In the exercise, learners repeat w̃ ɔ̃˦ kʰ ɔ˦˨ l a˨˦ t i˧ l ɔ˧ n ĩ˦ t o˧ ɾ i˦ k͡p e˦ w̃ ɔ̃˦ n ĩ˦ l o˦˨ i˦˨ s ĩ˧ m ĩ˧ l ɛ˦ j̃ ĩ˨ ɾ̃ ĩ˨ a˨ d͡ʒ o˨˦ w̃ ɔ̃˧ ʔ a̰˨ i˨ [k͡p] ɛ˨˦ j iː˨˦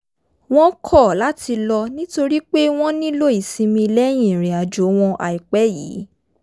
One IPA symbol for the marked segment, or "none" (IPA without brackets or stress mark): k͡p